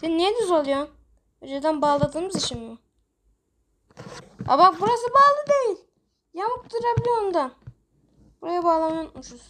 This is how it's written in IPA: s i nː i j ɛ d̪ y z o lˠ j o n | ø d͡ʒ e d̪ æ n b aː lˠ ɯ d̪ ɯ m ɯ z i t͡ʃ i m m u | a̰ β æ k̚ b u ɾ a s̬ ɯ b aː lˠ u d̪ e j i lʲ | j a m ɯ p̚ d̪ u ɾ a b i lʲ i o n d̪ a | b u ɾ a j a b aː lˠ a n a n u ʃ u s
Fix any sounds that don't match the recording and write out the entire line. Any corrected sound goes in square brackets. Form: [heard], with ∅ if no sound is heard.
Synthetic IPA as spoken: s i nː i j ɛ d̪ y z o lˠ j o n | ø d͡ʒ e d̪ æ n b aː lˠ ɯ d̪ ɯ m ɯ z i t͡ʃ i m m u | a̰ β [a] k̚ b u ɾ a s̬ ɯ b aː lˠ [ɯ] d̪ e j i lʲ | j a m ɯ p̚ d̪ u ɾ a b i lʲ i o n d̪ a | b u ɾ a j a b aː lˠ a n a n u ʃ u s